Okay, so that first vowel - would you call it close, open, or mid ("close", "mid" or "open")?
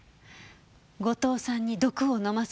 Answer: mid